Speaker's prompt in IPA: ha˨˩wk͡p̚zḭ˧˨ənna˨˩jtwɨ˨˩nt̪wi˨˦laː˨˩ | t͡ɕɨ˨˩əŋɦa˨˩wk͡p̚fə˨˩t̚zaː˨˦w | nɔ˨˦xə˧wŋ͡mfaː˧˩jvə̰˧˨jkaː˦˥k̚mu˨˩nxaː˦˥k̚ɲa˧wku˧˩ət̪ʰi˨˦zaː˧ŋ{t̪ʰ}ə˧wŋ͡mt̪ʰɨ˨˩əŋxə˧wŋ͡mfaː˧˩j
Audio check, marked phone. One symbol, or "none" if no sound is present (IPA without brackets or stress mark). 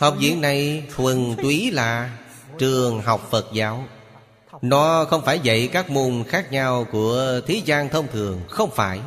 t̪ʰ